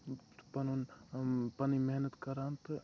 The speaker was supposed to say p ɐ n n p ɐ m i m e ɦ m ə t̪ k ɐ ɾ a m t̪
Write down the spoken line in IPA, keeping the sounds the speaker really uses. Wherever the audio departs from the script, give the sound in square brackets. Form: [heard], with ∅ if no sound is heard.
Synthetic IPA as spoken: p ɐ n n p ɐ [n] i m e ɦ [n] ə t̪ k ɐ ɾ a [n] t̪